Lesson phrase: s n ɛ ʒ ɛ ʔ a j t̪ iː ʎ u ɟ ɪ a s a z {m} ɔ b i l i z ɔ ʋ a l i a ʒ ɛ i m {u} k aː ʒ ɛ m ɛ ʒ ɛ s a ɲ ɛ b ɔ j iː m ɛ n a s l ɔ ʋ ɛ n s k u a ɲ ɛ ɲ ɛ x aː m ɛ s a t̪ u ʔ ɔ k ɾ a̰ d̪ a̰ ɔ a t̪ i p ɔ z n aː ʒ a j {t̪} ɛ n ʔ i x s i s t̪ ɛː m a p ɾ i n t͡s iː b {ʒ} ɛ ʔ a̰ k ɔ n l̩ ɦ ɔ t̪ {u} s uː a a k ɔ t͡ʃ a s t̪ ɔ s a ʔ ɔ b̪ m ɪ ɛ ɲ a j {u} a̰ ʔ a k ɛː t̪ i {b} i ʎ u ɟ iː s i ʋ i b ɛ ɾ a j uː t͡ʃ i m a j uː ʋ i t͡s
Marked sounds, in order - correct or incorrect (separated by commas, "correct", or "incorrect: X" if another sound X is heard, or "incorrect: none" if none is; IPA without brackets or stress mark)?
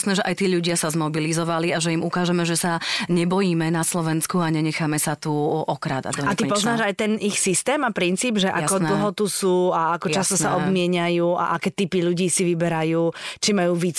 correct, correct, correct, correct, correct, incorrect: uː, incorrect: p